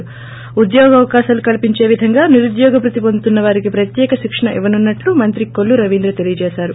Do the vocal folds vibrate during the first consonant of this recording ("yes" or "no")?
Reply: yes